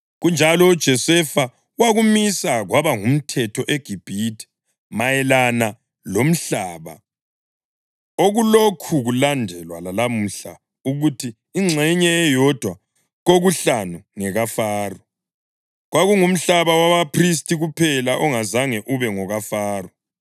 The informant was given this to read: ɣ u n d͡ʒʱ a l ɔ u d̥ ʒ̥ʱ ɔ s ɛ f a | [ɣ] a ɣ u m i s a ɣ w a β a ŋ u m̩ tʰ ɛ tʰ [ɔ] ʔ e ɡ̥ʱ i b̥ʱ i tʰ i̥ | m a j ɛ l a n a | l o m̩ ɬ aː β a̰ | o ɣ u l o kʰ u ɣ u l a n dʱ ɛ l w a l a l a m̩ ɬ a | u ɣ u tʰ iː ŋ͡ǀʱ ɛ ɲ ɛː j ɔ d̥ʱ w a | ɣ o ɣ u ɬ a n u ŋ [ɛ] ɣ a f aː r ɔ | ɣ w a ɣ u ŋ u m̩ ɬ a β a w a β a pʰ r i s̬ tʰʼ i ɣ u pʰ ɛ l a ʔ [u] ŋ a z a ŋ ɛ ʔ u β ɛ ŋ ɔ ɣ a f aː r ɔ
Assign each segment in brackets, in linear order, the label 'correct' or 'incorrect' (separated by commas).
incorrect, correct, correct, incorrect